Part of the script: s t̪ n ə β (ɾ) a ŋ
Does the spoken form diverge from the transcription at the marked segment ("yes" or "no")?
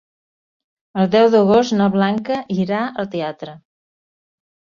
yes